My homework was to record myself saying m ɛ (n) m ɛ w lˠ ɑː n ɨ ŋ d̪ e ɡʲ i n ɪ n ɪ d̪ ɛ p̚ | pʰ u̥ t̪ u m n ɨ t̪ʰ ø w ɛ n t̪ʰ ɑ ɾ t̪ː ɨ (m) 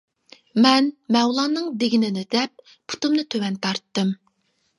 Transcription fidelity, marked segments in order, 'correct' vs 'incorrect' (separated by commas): correct, correct